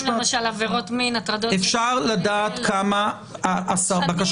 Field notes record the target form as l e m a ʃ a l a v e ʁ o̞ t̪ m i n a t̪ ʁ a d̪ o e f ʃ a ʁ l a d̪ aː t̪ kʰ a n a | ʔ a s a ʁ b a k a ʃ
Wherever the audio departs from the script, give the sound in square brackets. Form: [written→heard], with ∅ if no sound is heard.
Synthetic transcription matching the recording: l e m a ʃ a l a v e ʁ o̞ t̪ m i n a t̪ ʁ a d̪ o e f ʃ a ʁ l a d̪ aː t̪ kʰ a [n→m] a | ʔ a s a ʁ b a k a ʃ